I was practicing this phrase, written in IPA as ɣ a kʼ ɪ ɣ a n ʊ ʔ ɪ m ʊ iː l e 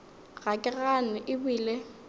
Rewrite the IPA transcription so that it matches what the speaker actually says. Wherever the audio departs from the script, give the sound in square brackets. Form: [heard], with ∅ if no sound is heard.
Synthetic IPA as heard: ɣ a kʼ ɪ ɣ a n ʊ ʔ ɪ [b] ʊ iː l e